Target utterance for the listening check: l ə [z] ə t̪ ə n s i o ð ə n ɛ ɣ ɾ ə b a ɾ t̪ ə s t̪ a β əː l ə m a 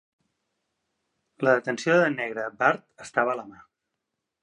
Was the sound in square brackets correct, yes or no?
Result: no